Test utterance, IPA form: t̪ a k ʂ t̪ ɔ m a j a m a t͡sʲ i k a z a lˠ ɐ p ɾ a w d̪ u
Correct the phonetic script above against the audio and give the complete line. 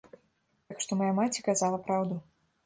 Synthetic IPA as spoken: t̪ a k ʂ t̪ ɔ m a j a m a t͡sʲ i k a z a lˠ ɐ p ɾ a w d̪ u

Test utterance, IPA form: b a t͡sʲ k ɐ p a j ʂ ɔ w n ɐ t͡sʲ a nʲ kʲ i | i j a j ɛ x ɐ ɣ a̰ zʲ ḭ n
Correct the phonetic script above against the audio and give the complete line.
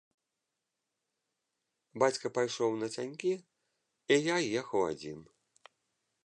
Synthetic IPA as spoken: b a t͡sʲ k ɐ p a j ʂ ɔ w n ɐ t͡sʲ a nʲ kʲ i | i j a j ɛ x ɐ w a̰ d͡zʲ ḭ n

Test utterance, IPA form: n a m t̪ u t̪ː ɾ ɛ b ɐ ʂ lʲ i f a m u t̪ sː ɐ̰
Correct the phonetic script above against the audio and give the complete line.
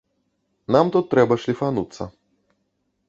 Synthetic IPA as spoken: n a m t̪ u t̪ː ɾ ɛ b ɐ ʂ lʲ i f a n u t̪ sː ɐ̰

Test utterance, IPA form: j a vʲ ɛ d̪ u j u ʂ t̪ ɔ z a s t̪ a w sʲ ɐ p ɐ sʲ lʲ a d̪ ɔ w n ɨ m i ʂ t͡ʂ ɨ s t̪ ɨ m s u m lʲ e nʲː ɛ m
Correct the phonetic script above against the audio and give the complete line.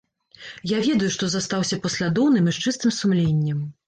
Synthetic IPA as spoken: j a vʲ ɛ d̪ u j u ʂ t̪ ɔ z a s t̪ a w sʲ ɐ p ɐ sʲ lʲ a d̪ ɔ w n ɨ m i ʂ t͡ʂ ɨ s t̪ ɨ m s u m lʲ e nʲː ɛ m

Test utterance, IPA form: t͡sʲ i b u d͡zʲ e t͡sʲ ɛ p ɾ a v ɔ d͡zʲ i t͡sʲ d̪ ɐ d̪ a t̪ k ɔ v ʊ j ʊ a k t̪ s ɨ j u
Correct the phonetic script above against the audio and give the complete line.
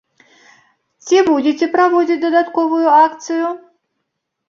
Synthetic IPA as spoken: t͡sʲ i b u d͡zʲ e t͡sʲ ɛ p ɾ a v ɔ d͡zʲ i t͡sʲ d̪ ɐ d̪ a t̪ k ɔ v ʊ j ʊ a k t̪ s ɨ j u

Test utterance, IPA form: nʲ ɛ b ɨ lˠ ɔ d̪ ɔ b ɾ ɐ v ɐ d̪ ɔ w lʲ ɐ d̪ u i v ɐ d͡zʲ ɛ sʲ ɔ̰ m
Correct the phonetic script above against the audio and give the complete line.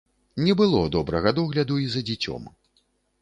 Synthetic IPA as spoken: nʲ ɛ b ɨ lˠ ɔ d̪ ɔ b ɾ ɐ ɣ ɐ d̪ ɔ ɣ lʲ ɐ d̪ u i z ɐ d͡zʲ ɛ t͡sʲ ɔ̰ m

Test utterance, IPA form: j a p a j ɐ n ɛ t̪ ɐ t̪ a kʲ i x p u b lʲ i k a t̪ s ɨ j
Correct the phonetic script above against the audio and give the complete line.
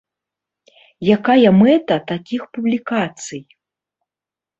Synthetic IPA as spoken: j a k a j ɐ m ɛ t̪ ɐ t̪ a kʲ i x p u b lʲ i k a t̪ s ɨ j

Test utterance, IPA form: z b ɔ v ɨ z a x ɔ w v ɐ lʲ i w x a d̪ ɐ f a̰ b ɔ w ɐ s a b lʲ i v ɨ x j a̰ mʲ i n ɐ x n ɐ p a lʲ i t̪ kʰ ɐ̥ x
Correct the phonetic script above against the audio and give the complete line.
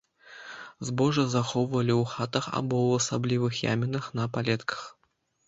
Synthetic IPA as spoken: z b ɔ ʐ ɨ z a x ɔ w v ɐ lʲ i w x a t̪ ɐ x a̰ b ɔ w ɐ s a b lʲ i v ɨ x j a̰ mʲ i n ɐ x n ɐ p a lʲ ɛ t̪ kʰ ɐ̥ x

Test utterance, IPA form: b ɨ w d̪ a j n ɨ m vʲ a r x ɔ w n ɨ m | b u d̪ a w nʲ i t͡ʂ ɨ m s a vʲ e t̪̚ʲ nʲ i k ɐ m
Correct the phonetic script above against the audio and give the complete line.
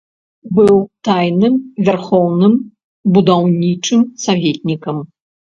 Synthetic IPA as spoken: b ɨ w t̪ a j n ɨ m vʲ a r x ɔ w n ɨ m | b u d̪ a w nʲ i t͡ʂ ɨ m s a vʲ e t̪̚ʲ nʲ i k ɐ m

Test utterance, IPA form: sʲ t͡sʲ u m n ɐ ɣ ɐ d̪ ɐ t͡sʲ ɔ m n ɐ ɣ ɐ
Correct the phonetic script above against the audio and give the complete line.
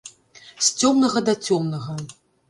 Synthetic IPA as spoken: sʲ t͡sʲ ɔ m n ɐ ɣ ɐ d̪ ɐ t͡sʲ ɔ m n ɐ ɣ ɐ

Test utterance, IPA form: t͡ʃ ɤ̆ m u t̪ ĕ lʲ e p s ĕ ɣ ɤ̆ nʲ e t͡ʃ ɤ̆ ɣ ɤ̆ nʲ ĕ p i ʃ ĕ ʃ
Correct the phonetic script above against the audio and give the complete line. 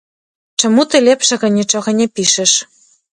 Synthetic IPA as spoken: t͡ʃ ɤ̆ m u t̪ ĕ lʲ e p ʃ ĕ ɣ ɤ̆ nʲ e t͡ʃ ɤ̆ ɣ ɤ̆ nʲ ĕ p i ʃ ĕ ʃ

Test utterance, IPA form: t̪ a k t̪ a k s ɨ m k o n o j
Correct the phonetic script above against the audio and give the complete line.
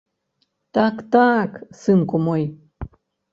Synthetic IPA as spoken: t̪ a k t̪ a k s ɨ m k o m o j

